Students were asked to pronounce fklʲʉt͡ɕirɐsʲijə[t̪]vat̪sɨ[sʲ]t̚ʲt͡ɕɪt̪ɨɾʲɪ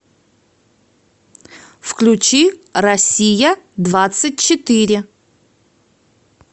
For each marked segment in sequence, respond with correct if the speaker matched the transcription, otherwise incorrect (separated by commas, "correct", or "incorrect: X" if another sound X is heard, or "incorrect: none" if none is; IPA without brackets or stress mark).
incorrect: d̪, incorrect: none